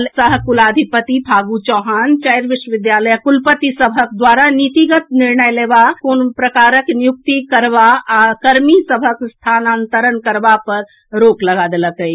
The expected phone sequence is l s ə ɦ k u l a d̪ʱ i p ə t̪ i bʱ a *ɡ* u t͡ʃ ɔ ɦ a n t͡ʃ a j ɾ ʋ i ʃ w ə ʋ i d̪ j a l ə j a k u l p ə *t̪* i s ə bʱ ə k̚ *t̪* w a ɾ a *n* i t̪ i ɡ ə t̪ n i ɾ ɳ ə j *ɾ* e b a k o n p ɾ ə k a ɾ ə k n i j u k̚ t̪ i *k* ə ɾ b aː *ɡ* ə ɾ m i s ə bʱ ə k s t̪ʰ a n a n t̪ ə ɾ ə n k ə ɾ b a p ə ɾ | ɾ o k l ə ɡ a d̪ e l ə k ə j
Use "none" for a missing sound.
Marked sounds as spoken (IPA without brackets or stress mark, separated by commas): ɡ, t̪, d̪, n, l, k, k